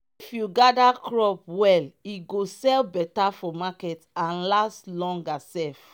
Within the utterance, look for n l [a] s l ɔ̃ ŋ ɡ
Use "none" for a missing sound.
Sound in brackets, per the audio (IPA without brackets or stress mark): a